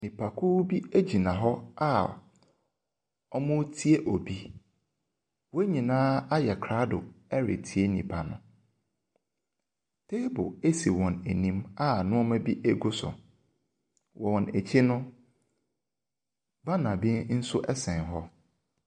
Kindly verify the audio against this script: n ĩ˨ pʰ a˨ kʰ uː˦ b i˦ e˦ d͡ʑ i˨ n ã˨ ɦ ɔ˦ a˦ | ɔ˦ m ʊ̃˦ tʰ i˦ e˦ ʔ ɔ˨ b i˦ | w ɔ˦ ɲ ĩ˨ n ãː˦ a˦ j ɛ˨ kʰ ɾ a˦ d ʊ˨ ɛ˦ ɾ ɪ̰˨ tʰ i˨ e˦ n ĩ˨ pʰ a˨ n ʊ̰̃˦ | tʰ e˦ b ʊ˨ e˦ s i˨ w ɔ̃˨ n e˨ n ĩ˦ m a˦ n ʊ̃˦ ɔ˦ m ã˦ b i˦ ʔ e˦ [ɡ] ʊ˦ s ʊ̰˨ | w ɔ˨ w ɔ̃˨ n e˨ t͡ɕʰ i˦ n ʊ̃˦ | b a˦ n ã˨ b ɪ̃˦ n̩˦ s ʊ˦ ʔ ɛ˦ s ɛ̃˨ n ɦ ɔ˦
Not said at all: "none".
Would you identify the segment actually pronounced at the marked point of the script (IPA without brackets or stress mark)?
ɡ